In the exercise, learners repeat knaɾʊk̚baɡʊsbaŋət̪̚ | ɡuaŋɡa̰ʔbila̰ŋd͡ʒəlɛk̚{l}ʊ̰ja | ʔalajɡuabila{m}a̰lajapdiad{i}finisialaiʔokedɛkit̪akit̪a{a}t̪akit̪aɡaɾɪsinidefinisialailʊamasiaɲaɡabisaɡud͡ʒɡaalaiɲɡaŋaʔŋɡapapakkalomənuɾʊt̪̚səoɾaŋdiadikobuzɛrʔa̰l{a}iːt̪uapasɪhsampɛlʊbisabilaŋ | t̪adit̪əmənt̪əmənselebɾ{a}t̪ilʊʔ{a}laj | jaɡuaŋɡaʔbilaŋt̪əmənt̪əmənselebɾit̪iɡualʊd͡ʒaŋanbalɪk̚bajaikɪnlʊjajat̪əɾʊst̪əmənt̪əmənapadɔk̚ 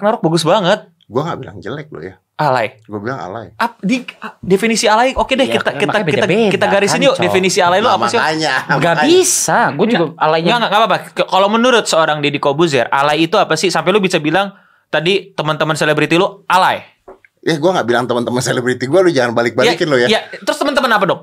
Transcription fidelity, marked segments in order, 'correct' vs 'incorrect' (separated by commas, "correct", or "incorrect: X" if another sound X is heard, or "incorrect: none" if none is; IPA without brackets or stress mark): correct, incorrect: ŋ, incorrect: e, incorrect: i, correct, incorrect: i, correct